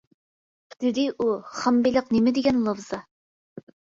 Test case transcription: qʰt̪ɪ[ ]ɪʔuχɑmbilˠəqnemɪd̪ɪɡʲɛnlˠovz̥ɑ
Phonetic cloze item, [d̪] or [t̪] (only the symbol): d̪